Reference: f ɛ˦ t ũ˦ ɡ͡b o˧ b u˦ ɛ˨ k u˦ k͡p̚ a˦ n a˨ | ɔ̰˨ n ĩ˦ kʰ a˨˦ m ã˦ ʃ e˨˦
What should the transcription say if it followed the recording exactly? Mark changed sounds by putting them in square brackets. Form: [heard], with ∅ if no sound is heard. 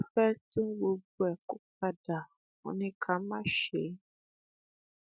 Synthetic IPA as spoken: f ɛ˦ t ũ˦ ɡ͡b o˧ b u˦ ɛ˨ k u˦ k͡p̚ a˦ [d] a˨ | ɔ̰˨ n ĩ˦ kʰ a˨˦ m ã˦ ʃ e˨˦